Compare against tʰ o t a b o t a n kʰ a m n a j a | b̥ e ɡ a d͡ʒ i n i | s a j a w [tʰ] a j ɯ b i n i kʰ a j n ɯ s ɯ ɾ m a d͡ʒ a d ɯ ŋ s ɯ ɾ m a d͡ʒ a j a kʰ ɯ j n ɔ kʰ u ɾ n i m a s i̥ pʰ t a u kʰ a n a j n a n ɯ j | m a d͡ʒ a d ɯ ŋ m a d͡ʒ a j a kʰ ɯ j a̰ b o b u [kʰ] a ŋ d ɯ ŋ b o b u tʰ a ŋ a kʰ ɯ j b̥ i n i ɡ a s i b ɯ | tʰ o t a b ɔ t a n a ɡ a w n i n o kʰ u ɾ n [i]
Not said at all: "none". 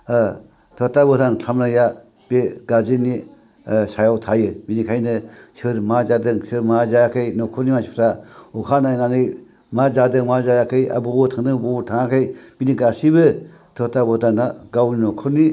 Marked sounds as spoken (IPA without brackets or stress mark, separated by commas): tʰ, tʰ, i